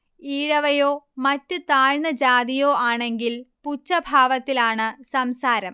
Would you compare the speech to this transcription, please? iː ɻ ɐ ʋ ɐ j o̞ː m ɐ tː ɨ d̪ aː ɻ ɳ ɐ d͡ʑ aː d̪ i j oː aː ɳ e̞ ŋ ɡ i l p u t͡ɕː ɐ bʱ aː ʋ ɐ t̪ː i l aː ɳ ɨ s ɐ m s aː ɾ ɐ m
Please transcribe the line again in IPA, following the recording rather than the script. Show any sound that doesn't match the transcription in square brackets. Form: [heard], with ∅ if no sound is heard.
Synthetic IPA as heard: iː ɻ ɐ ʋ ɐ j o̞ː m ɐ tː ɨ [t̪] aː ɻ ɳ ɐ d͡ʑ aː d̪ i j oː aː ɳ e̞ ŋ ɡ i l p u t͡ɕː ɐ bʱ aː ʋ ɐ t̪ː i l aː ɳ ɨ s ɐ m s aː ɾ ɐ m